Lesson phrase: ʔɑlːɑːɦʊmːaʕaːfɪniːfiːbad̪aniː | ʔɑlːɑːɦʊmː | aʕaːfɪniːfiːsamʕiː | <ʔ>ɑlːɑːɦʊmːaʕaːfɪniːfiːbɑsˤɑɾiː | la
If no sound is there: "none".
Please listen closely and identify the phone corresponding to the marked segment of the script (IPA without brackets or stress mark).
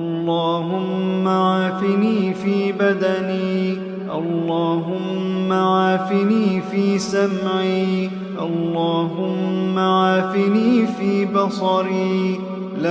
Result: ʔ